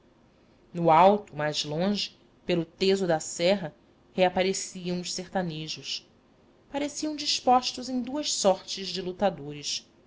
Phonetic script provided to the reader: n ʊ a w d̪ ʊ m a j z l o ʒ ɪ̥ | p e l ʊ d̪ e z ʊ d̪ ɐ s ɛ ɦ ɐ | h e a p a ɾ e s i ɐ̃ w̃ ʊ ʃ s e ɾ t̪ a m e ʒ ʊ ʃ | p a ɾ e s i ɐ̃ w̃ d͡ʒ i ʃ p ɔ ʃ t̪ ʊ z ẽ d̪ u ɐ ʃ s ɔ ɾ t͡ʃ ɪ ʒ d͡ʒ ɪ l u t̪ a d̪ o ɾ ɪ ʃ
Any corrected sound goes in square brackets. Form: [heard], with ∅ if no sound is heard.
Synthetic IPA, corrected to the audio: n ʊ a w [t̪] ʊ m a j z l [õ] ʒ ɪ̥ | p e l ʊ [t̪] e z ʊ d̪ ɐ s ɛ ɦ ɐ | h e a p a ɾ e s i ɐ̃ w̃ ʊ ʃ s e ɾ t̪ a [n] e ʒ ʊ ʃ | p a ɾ e s i ɐ̃ w̃ d͡ʒ i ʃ p ɔ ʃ t̪ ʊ z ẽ d̪ u ɐ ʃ s ɔ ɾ t͡ʃ ɪ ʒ d͡ʒ ɪ l u t̪ a d̪ o ɾ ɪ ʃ